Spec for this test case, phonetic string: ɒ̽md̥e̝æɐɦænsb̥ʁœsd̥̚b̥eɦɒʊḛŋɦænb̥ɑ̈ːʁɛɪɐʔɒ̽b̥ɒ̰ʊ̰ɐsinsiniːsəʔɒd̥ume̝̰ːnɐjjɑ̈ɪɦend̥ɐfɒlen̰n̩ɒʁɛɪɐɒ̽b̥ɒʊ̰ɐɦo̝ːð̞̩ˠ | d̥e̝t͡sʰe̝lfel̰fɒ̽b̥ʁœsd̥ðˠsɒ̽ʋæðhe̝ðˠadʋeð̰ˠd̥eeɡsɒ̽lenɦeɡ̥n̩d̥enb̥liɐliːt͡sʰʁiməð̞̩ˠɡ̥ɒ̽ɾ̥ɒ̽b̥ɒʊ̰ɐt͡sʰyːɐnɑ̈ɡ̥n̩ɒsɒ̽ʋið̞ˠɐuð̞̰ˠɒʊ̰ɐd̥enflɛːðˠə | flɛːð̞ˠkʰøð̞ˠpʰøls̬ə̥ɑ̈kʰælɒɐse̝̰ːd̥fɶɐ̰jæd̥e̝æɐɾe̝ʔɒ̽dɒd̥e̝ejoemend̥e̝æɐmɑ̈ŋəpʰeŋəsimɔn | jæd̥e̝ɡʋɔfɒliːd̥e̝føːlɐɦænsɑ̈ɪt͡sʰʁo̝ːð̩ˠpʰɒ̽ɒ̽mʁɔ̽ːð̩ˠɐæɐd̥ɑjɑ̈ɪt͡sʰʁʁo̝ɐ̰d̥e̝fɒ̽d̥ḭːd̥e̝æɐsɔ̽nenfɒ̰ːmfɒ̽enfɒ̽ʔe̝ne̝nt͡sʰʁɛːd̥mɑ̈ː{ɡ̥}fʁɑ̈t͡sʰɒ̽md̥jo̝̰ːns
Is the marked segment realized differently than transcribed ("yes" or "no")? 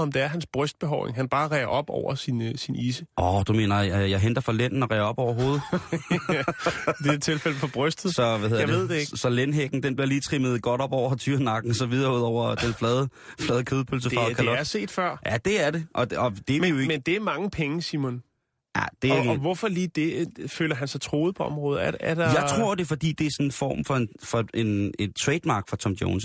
no